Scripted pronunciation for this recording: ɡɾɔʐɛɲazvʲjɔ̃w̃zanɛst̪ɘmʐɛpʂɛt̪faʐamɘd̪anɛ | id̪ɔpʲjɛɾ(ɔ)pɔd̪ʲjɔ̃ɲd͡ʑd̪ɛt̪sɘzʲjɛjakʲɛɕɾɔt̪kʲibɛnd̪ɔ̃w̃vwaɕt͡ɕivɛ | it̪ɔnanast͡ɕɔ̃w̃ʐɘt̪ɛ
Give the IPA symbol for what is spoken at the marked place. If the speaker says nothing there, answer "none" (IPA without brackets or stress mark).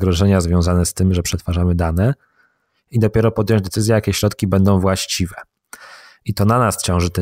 ɔ